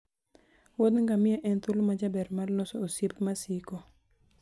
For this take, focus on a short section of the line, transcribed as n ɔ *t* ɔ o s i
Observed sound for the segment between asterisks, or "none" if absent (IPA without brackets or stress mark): s